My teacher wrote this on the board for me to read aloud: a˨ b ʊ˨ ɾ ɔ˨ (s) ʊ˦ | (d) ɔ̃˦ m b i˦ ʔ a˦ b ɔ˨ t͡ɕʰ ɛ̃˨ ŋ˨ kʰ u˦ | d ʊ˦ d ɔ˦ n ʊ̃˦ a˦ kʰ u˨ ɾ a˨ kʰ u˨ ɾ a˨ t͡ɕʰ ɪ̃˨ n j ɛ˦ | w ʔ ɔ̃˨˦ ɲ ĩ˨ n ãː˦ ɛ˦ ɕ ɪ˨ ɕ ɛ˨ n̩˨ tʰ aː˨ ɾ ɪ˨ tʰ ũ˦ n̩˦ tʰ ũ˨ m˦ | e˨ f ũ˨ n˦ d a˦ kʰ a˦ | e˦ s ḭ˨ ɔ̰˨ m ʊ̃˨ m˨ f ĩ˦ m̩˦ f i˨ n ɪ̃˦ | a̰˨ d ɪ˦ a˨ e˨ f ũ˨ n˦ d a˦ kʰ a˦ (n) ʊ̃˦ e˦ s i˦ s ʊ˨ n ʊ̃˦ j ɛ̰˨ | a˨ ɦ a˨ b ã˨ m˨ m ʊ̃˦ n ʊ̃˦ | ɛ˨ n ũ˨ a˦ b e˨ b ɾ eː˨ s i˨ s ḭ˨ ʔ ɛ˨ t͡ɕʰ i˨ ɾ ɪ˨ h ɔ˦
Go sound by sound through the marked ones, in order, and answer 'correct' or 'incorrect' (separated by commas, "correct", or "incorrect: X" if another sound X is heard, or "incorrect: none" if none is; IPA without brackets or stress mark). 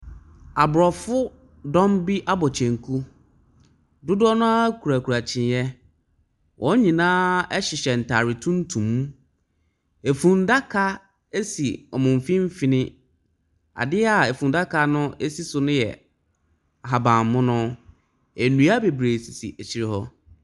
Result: incorrect: f, correct, correct